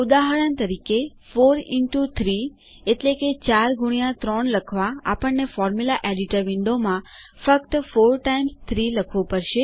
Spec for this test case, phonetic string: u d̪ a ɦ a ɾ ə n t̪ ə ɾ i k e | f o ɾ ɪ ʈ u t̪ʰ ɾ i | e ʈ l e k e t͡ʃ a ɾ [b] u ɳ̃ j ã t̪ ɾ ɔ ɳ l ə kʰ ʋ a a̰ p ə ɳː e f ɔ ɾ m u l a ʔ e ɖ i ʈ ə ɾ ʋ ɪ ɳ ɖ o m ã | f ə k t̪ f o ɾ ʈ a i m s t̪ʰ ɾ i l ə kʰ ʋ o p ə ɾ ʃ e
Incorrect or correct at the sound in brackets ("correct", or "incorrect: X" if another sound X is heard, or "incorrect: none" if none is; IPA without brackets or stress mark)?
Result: incorrect: ɡ